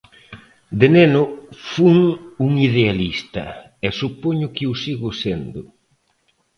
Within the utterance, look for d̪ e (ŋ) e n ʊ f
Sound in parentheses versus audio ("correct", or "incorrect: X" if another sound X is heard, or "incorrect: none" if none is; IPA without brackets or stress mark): incorrect: n